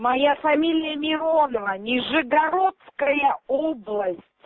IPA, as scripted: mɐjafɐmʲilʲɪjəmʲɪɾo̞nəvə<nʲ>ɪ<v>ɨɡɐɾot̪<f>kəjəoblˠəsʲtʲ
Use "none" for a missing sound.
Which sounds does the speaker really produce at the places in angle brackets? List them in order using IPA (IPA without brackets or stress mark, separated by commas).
nʲ, ʐ, s